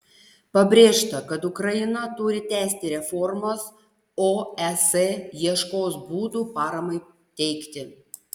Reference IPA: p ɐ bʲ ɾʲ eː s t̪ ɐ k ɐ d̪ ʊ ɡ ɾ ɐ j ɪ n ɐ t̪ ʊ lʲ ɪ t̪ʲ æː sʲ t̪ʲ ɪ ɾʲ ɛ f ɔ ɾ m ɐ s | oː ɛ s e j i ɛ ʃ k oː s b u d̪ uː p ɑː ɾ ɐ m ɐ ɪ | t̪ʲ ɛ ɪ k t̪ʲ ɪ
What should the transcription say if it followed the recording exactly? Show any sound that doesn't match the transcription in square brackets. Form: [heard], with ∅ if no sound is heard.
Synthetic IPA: p ɐ bʲ ɾʲ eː [ʃ] t̪ ɐ k ɐ [t̪] ʊ [k] ɾ ɐ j ɪ n ɐ t̪ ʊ [ɾʲ] ɪ t̪ʲ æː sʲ t̪ʲ ɪ ɾʲ ɛ f ɔ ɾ m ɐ s | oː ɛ s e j i ɛ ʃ k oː s b [uː] d̪ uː p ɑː ɾ ɐ m ɐ ɪ | t̪ʲ ɛ ɪ k t̪ʲ ɪ